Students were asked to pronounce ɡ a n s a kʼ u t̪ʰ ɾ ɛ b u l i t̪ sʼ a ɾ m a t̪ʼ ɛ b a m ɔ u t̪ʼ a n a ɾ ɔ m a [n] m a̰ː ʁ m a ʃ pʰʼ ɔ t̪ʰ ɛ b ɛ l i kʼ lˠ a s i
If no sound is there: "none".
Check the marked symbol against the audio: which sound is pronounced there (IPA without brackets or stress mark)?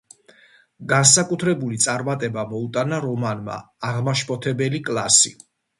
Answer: n